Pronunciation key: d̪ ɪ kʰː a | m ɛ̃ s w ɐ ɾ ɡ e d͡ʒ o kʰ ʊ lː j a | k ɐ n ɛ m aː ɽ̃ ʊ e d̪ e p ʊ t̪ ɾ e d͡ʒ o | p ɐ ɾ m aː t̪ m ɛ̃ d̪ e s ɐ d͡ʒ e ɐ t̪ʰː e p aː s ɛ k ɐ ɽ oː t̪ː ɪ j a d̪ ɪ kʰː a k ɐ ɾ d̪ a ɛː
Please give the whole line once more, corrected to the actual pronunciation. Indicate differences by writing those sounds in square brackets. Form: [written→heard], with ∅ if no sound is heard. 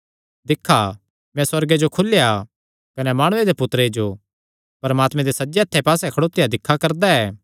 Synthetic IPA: d̪ ɪ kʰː a | m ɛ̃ s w ɐ ɾ ɡ e d͡ʒ o kʰ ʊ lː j a | k ɐ n ɛ m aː ɽ̃ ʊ e d̪ e p ʊ t̪ ɾ e d͡ʒ o | p ɐ ɾ m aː t̪ m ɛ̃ d̪ e s ɐ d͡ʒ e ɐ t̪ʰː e p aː s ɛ [k→kʰ] ɐ ɽ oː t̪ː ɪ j a d̪ ɪ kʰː a k ɐ ɾ d̪ a ɛː